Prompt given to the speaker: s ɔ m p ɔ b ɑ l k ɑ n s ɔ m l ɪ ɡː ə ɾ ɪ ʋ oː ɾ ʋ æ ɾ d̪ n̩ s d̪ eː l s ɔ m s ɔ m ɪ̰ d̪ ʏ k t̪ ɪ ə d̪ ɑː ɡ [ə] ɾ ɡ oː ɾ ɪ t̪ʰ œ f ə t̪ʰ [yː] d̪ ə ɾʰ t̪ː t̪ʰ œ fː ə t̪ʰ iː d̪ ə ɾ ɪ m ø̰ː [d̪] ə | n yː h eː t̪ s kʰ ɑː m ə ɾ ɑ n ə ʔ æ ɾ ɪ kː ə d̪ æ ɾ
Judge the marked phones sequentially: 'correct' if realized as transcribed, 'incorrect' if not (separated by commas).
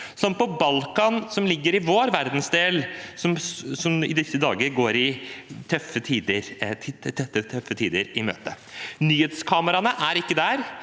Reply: correct, incorrect, incorrect